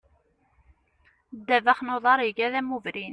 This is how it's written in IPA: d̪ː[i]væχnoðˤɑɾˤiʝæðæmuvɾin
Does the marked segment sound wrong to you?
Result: yes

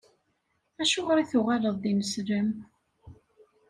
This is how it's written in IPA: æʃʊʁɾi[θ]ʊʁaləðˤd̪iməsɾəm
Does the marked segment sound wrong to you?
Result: no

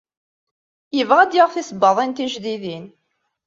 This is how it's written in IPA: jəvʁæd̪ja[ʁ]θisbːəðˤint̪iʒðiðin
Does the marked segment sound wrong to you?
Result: no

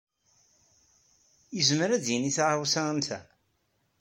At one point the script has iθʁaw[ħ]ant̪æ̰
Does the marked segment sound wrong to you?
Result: yes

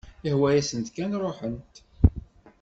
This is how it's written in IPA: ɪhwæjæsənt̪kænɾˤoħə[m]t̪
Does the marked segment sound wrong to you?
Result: yes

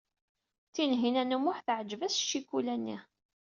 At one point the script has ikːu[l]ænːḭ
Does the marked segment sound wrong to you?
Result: no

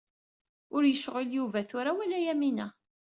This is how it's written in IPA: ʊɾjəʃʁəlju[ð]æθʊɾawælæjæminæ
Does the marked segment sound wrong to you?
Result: yes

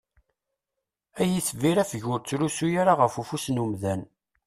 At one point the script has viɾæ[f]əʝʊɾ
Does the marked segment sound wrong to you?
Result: no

